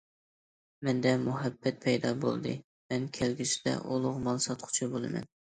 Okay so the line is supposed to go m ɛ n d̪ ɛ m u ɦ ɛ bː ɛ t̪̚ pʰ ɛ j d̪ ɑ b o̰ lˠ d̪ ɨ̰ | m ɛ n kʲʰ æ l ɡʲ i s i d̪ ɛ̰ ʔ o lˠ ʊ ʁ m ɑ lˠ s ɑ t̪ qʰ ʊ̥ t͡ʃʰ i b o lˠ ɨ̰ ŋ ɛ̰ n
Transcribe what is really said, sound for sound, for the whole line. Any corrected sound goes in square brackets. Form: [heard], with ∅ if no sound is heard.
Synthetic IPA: m ɛ n d̪ ɛ m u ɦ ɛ bː ɛ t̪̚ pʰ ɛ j d̪ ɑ b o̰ lˠ d̪ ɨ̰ | m ɛ n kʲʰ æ l ɡʲ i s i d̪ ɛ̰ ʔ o lˠ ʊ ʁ m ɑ lˠ s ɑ t̪ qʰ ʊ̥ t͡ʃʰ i b o lˠ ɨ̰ [m] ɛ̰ n